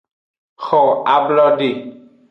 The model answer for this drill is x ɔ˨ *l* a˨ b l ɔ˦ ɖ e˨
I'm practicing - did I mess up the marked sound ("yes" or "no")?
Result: yes